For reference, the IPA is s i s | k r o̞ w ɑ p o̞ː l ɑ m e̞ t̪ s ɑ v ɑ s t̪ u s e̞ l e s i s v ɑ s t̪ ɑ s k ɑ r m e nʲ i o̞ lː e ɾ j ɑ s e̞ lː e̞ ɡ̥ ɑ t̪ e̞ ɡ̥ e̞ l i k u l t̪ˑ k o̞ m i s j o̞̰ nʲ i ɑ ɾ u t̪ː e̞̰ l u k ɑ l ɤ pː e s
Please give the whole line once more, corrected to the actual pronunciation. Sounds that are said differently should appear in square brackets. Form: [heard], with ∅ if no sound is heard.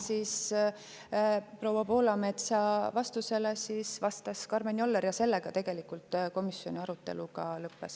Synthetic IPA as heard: s i s | [p] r o̞ w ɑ p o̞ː l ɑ m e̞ t̪ s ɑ v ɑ s t̪ u s e̞ l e s i s v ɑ s t̪ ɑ s k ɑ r m e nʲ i o̞ lː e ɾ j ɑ s e̞ lː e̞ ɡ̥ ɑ t̪ e̞ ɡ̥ e̞ l i k u l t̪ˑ k o̞ m i s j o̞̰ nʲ i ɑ ɾ u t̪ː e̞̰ l u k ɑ l ɤ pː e s